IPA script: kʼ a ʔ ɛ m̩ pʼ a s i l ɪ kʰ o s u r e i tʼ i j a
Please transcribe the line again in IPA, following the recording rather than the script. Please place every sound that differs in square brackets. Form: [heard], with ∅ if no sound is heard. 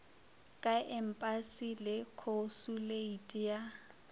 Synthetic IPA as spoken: kʼ a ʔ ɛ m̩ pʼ a s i l ɪ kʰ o s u [l] e i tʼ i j a